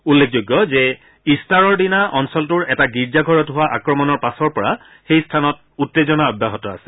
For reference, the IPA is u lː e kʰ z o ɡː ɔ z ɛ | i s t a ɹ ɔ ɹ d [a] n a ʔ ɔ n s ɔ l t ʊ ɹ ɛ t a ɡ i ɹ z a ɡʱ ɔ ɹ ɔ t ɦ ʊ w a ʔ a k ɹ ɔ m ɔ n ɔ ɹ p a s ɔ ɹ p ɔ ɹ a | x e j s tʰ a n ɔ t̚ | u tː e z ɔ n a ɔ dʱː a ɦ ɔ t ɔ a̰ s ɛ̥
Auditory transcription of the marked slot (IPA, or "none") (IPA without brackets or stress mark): i